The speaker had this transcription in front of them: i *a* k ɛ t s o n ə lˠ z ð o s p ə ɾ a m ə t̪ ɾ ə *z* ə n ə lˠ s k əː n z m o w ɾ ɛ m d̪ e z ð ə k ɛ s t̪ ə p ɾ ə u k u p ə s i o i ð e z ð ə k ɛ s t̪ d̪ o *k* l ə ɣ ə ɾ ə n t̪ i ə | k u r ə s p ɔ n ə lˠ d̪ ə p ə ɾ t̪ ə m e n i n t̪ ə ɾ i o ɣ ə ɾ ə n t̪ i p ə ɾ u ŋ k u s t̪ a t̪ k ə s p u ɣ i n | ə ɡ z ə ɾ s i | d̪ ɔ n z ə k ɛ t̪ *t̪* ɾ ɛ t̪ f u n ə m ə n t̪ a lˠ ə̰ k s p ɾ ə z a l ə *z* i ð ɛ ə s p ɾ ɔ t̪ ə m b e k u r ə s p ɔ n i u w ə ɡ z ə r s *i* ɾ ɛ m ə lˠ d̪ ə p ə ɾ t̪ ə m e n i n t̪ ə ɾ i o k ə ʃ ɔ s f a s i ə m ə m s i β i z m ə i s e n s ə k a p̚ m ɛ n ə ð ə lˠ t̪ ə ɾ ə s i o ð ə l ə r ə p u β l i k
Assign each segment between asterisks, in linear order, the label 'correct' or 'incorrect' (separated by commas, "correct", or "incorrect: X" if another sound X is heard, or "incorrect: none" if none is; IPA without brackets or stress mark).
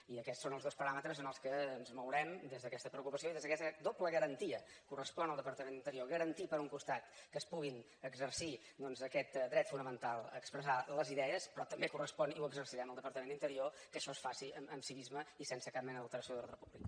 incorrect: ə, correct, incorrect: p, incorrect: d̪, correct, correct